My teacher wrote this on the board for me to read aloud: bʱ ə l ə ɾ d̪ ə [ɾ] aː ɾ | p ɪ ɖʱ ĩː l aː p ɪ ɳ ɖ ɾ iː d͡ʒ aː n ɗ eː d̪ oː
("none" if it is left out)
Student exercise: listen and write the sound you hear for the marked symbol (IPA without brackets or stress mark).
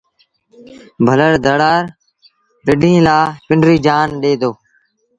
ɽ